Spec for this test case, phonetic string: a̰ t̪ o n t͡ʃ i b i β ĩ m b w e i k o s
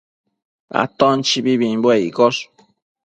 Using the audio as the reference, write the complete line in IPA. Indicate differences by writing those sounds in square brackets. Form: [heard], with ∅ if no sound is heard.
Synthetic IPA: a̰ t̪ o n t͡ʃ i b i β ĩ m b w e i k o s